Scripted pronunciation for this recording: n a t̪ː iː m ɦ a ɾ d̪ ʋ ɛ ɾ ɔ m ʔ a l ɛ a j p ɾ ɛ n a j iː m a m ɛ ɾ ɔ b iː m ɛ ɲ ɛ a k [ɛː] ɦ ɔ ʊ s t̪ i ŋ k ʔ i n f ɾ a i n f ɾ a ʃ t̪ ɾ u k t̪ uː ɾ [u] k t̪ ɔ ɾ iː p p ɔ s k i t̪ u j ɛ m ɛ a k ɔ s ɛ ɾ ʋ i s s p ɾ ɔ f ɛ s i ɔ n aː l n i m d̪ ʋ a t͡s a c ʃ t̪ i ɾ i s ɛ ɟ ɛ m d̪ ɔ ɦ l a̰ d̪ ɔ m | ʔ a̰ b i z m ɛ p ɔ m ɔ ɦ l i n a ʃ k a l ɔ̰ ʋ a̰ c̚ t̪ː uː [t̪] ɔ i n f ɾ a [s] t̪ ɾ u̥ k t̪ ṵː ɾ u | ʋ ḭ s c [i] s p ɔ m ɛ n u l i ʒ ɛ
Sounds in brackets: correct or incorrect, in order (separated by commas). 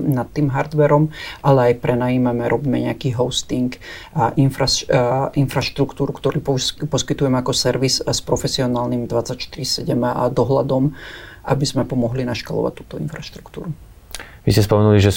incorrect, correct, correct, incorrect, incorrect